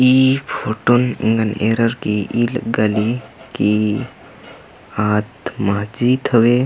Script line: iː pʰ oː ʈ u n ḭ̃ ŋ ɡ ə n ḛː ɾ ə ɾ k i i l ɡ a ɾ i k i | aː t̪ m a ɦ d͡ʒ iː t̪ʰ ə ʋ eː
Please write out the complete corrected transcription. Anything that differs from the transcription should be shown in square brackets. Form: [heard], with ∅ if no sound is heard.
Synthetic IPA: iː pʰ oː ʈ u n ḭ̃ ŋ ɡ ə n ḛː ɾ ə ɾ k i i l ɡ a [l] i k i | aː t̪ m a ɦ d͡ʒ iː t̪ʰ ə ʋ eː